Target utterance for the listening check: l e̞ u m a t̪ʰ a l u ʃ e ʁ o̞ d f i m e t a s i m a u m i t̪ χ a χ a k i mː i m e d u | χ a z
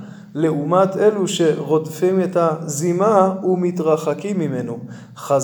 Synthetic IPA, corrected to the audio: l e̞ u m a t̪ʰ e l u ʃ e ʁ o̞ d f i m e t a z i m a u m i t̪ ʁ a χ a k i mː i m e n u | χ a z